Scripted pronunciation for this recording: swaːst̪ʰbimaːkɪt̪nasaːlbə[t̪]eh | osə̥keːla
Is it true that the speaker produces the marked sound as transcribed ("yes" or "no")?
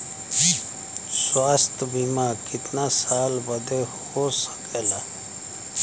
no